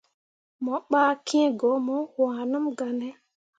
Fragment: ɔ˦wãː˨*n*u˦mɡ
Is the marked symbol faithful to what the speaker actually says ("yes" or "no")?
yes